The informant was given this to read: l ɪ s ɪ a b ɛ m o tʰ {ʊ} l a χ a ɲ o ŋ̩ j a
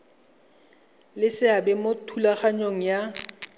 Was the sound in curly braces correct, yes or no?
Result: no